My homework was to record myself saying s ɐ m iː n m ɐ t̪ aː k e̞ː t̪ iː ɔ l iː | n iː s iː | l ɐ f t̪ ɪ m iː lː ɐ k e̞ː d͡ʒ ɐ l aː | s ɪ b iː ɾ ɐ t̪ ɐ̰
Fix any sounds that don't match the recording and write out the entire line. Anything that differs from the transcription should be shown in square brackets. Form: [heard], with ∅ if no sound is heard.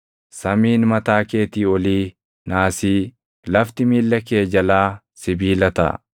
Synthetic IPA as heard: s ɐ m iː n m ɐ t̪ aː k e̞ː t̪ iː ɔ l iː | n [aː] s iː | l ɐ f t̪ ɪ m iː lː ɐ k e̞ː d͡ʒ ɐ l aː | s ɪ b iː [l] ɐ t̪ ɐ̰

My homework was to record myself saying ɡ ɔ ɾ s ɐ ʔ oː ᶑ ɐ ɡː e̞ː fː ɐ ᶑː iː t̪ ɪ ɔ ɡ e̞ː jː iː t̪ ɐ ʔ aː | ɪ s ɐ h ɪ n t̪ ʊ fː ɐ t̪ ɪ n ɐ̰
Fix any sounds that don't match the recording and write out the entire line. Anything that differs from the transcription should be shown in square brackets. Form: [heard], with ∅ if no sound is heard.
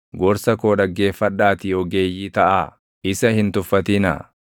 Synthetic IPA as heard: ɡ ɔ ɾ s ɐ [k] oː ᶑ ɐ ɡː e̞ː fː ɐ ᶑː [aː] t̪ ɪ ɔ ɡ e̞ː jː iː t̪ ɐ ʔ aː | ɪ s ɐ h ɪ n t̪ ʊ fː ɐ t̪ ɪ n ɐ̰

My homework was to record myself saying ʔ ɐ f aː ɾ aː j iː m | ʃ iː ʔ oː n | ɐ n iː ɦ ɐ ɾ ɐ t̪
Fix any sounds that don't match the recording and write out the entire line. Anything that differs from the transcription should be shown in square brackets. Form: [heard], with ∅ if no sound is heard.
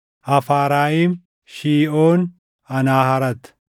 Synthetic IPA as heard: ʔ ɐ f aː ɾ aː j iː m | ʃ iː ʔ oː n | ɐ n [aː] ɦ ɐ ɾ ɐ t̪

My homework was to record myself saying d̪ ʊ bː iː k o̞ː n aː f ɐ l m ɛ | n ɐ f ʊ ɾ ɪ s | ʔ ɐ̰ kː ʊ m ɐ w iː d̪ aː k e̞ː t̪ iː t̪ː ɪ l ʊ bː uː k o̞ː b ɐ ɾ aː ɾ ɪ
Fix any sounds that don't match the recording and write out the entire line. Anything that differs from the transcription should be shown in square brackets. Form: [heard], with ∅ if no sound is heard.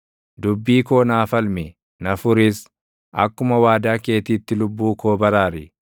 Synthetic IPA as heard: d̪ ʊ bː iː k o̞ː n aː f ɐ l m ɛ | n ɐ f ʊ ɾ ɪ s | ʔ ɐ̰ kː ʊ m ɐ w [aː] d̪ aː k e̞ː t̪ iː t̪ː ɪ l ʊ bː uː k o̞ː b ɐ ɾ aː ɾ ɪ

